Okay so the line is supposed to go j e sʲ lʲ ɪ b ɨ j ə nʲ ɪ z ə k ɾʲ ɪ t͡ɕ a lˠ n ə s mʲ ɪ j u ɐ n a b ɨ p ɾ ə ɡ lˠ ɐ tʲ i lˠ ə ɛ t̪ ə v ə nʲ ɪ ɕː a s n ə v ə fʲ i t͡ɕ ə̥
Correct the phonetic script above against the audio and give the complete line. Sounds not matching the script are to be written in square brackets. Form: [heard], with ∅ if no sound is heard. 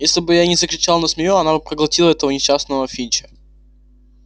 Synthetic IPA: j e sʲ lʲ ɪ b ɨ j [a] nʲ ɪ z ə k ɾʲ ɪ t͡ɕ a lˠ n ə s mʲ ɪ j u ɐ n a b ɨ p ɾ ə ɡ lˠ ɐ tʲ i lˠ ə ɛ t̪ ə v ə nʲ ɪ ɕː a s n ə v ə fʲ i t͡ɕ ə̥